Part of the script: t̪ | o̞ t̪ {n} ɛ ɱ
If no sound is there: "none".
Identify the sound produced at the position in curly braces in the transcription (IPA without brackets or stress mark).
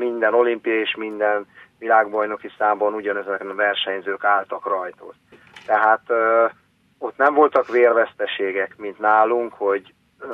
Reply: n